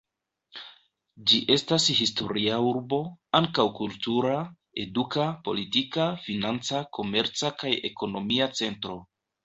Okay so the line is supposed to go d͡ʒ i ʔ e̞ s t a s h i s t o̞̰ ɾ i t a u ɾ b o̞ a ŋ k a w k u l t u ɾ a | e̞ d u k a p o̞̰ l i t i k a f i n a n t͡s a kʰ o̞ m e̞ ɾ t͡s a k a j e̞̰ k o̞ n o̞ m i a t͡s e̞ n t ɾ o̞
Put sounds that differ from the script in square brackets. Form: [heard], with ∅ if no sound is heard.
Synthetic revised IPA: d͡ʒ i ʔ e̞ s t a s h i s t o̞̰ ɾ i [∅] a u ɾ b o̞ a ŋ k a w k u l t u ɾ a | e̞ d u k a p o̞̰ l i t i k a f i n a n t͡s a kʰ o̞ m e̞ ɾ t͡s a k a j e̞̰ k o̞ n o̞ m i a t͡s e̞ n t ɾ o̞